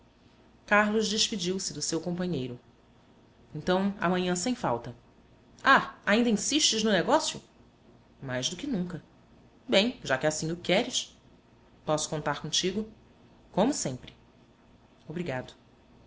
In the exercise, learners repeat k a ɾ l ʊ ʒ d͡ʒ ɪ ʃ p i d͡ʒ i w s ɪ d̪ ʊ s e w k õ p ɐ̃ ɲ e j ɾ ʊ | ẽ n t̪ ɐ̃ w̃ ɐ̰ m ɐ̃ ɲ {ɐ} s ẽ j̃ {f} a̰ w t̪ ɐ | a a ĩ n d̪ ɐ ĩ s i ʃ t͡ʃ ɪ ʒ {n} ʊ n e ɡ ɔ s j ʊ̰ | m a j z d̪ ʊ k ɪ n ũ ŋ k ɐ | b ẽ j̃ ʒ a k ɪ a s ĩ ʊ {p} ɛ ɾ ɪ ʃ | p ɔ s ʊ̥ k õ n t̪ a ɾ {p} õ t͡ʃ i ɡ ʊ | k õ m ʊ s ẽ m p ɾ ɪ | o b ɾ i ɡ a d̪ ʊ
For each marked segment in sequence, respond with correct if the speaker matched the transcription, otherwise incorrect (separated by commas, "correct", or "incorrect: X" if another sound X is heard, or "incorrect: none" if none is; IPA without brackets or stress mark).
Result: incorrect: ɐ̃, correct, correct, incorrect: k, incorrect: k